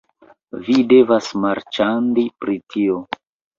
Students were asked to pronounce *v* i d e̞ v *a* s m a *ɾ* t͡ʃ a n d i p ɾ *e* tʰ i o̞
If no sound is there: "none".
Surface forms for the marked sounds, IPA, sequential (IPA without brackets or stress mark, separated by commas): v, a, ɾ, i